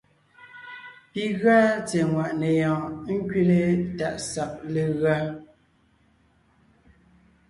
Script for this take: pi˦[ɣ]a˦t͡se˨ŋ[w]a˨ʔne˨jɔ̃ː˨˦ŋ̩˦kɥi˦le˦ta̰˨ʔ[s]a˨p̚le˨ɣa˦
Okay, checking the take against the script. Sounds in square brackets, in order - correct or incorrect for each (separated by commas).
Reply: correct, correct, correct